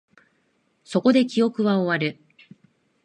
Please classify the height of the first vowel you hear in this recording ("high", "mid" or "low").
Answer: mid